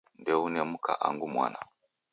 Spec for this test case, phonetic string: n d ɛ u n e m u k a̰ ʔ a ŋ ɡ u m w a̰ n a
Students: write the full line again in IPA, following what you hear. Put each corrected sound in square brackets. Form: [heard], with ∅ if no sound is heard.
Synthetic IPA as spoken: n d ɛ u n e m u k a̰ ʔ a ŋ ɡ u m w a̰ n a